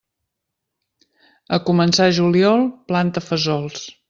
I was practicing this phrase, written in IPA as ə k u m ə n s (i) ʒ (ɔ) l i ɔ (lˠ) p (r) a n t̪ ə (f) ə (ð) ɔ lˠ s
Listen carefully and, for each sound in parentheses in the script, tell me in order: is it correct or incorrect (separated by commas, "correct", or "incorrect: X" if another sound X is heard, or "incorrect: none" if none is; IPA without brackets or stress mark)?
incorrect: a, incorrect: u, correct, incorrect: l, correct, incorrect: z